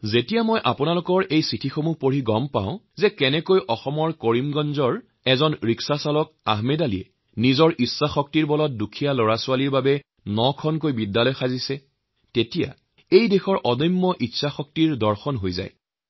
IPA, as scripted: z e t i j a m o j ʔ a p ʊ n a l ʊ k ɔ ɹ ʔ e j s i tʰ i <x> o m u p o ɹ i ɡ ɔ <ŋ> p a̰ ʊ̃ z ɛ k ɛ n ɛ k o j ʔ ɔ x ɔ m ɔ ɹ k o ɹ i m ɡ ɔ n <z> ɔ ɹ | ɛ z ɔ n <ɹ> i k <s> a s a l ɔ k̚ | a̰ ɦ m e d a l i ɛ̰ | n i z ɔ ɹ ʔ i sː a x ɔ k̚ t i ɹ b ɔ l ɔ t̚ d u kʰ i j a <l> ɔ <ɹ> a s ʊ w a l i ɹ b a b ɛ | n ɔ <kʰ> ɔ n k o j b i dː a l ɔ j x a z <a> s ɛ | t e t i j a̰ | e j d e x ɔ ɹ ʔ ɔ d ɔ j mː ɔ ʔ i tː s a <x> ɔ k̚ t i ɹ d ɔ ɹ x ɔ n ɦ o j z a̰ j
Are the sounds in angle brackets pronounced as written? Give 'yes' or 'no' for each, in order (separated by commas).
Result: yes, no, yes, yes, yes, yes, yes, yes, no, yes